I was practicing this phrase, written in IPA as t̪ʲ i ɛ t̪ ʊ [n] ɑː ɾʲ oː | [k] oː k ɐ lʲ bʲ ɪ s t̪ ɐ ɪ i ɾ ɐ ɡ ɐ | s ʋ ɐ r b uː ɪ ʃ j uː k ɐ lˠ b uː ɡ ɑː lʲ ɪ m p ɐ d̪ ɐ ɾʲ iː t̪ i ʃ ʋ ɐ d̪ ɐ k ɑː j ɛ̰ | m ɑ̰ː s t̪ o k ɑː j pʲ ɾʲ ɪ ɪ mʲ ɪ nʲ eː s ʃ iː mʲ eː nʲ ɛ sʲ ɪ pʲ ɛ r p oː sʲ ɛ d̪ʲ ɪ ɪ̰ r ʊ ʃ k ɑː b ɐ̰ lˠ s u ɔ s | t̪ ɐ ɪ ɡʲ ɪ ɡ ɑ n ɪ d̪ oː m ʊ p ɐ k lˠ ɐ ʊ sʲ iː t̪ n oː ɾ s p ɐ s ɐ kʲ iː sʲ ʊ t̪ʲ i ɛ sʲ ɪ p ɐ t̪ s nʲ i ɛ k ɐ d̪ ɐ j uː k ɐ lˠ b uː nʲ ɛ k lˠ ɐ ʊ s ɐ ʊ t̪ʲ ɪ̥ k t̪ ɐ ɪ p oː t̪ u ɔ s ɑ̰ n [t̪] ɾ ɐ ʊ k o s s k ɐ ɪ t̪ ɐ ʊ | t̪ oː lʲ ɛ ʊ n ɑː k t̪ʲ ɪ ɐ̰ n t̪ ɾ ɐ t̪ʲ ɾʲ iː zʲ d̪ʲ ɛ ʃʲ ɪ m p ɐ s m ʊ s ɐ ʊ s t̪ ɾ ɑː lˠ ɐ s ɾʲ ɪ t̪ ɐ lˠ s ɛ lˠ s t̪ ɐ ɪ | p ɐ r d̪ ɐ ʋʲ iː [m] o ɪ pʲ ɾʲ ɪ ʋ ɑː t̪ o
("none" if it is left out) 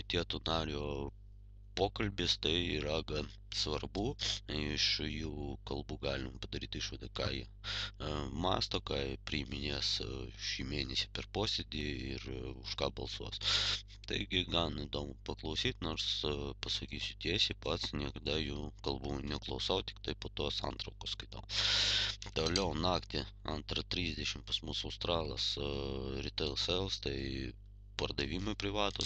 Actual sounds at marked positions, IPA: n, p, t̪, m

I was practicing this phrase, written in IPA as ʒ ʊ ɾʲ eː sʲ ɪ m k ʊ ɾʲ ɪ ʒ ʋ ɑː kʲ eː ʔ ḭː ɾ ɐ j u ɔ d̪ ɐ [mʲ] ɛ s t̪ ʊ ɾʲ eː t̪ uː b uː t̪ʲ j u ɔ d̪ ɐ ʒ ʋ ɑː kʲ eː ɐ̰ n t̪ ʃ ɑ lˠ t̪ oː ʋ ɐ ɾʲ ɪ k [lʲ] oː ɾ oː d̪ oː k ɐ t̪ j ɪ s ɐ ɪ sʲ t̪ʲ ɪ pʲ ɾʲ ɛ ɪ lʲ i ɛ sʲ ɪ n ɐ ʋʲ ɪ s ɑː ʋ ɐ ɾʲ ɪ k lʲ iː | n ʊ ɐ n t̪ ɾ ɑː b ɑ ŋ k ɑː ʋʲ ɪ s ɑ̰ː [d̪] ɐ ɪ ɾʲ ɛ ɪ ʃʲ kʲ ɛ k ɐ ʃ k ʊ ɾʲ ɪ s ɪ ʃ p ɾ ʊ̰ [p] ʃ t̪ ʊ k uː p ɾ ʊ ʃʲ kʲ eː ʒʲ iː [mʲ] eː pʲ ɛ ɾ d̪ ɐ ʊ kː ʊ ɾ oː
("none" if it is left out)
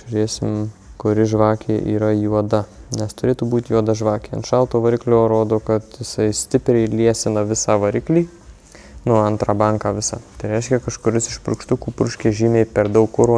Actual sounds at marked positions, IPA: nʲ, lʲ, t̪, k, mʲ

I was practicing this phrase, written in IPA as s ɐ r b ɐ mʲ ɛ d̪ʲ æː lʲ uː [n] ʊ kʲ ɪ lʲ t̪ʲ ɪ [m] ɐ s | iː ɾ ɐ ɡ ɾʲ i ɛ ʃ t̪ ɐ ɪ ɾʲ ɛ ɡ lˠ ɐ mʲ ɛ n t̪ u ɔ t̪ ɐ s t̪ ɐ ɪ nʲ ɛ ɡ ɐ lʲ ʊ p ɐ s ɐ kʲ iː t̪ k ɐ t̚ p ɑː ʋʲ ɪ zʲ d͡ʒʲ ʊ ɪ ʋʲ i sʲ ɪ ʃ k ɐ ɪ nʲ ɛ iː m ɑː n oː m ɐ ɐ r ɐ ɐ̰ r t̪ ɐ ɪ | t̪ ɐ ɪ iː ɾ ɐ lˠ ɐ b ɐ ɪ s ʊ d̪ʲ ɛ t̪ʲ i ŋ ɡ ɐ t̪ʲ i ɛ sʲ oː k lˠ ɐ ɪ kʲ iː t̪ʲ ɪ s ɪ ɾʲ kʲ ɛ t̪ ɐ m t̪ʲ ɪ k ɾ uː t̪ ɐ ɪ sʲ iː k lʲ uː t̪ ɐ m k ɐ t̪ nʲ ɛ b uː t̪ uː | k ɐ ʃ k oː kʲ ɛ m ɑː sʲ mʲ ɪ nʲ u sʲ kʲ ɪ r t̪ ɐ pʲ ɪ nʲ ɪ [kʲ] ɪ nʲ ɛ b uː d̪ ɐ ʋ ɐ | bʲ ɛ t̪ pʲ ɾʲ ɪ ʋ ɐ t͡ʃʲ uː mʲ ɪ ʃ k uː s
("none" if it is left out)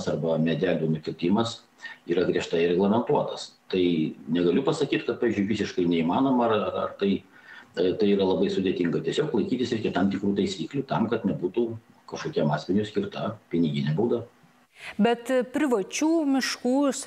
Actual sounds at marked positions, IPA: n, m, ɡʲ

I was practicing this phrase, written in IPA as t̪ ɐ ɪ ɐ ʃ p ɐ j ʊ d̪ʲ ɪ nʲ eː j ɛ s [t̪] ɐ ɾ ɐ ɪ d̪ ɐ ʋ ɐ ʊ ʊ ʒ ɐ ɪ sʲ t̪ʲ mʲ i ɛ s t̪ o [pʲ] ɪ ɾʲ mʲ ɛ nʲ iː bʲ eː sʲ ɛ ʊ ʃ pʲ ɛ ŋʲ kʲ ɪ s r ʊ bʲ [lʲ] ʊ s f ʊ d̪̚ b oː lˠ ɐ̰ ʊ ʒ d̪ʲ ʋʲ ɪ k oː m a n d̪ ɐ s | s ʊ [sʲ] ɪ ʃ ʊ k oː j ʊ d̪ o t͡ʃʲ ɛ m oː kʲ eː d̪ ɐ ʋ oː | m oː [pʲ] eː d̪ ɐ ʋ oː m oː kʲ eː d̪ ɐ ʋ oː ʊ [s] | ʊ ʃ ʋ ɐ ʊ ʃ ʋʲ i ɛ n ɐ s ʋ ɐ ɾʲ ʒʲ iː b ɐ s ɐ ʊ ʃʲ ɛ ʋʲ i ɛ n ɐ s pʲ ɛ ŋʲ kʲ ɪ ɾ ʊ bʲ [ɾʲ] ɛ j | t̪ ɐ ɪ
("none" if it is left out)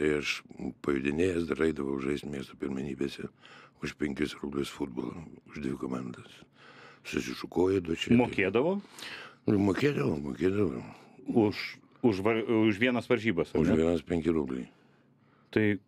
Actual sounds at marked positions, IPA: d̪, pʲ, lʲ, sʲ, kʲ, ʃ, lʲ

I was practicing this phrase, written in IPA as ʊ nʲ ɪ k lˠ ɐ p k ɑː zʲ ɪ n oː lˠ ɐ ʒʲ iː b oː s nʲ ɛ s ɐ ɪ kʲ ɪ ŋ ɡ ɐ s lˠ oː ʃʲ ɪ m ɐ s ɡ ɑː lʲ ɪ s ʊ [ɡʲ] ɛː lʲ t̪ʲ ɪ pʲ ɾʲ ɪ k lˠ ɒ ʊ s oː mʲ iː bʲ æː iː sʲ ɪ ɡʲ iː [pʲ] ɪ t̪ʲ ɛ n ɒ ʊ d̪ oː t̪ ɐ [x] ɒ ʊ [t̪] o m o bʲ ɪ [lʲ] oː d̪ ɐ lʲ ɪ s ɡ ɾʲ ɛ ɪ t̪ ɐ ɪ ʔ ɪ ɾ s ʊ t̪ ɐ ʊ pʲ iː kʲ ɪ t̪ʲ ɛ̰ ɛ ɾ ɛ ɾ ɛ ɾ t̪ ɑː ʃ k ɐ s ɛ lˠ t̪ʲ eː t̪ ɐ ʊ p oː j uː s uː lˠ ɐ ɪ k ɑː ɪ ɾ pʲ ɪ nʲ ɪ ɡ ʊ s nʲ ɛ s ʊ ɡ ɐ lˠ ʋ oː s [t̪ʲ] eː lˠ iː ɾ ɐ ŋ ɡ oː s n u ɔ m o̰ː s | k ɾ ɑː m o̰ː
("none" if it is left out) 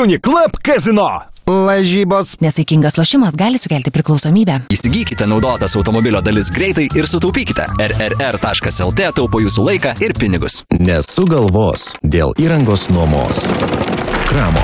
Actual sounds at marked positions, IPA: kʲ, kʲ, s, t̪, lʲ, d̪ʲ

